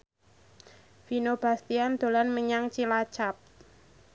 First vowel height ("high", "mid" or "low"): high